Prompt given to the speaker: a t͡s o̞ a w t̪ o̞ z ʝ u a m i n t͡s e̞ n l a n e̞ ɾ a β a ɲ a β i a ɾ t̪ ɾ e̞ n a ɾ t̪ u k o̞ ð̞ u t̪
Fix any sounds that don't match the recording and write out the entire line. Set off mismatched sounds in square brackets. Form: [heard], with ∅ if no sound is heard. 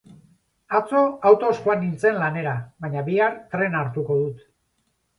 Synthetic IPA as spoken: a t͡s o̞ a w t̪ o̞ [s] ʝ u a [n] i n t͡s e̞ n l a n e̞ ɾ a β a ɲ a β i a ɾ t̪ ɾ e̞ n a ɾ t̪ u k o̞ ð̞ u t̪

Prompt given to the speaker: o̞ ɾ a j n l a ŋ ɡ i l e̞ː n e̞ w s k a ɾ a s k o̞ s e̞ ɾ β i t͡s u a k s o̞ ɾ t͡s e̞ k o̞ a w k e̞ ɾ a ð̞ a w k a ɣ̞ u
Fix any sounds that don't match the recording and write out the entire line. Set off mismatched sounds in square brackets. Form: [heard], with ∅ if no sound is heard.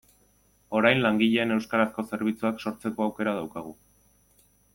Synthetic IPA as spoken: o̞ ɾ a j n l a ŋ ɡ i [ʎ] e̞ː n e̞ w s k a ɾ a s k o̞ s e̞ ɾ β i t͡s u a k s o̞ ɾ t͡s e̞ k o̞ a w k e̞ ɾ a ð̞ a w k a ɣ̞ u

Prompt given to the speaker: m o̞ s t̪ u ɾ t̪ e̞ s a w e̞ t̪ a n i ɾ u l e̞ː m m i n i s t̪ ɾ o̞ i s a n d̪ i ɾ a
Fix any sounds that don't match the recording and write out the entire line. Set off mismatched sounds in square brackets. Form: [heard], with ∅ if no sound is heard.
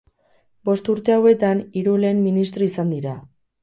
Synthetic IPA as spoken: [b] o̞ s t̪ u ɾ t̪ e̞ [∅] a w e̞ t̪ a n i ɾ u l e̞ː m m i n i s t̪ ɾ o̞ i s a n d̪ i ɾ a

